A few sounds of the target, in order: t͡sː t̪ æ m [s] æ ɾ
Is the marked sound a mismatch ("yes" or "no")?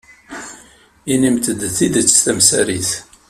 no